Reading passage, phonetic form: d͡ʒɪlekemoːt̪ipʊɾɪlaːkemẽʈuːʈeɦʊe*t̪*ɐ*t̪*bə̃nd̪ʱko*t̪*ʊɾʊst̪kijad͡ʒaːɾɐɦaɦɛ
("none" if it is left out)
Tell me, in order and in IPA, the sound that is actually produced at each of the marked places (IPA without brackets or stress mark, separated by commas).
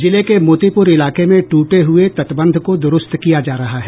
t̪, t̪, d̪